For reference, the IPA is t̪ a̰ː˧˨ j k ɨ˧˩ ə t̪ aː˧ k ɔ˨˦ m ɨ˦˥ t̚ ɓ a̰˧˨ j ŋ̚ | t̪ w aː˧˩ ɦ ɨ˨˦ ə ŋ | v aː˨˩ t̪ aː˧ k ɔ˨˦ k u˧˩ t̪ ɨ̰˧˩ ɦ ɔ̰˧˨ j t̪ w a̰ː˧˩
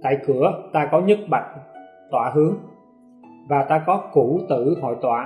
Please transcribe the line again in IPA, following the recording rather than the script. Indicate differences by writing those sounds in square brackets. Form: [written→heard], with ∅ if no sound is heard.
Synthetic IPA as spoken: t̪ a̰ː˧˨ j k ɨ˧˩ ə t̪ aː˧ k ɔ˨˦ [m→ɲ] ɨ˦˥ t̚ ɓ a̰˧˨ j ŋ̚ | t̪ w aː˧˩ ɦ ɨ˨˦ ə ŋ | v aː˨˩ t̪ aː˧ k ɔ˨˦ k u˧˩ t̪ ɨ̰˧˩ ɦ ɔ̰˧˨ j t̪ w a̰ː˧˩